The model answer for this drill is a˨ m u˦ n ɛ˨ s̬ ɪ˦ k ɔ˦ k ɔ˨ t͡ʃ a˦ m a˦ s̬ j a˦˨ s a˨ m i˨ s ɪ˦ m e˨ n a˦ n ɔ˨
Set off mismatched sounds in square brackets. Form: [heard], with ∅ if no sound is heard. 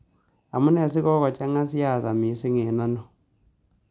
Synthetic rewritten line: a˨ m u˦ n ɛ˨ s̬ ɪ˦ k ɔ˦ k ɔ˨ t͡ʃ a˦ [ŋ] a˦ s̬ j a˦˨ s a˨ m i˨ s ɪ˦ [ŋ] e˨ n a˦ n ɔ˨